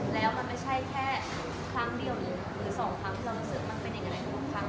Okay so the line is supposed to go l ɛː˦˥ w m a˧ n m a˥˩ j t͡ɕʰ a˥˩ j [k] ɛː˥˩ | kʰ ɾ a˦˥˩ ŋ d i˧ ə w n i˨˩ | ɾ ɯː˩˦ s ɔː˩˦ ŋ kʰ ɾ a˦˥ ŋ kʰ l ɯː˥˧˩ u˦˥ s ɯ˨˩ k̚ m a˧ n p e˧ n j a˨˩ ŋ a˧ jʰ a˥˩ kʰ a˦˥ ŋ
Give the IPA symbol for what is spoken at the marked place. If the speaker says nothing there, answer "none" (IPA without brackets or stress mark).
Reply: kʰ